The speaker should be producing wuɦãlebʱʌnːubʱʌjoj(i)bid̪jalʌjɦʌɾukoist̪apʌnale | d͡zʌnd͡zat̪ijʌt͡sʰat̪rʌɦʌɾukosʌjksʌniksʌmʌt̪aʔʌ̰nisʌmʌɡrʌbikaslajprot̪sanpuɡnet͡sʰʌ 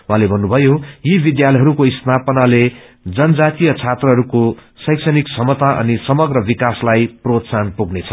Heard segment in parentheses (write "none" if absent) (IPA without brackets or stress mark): i